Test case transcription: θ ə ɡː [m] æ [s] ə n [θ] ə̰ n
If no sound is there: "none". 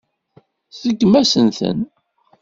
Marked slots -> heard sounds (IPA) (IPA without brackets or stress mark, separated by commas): m, s, θ